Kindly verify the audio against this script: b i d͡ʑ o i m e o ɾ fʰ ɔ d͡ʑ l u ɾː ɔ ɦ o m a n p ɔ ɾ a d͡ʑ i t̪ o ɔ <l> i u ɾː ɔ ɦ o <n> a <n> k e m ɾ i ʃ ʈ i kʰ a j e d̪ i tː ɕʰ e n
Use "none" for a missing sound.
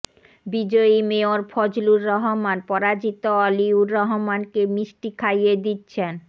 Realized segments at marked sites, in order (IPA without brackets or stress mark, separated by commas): l, m, n